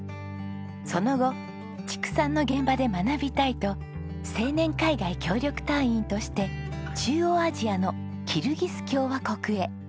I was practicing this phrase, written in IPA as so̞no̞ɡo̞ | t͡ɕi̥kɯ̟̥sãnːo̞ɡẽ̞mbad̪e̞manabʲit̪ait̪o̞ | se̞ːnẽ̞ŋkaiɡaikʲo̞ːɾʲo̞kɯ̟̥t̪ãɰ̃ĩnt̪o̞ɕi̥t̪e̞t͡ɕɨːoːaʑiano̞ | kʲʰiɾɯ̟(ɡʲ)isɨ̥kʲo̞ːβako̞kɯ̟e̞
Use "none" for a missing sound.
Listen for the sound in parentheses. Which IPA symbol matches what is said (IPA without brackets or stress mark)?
ɡʲ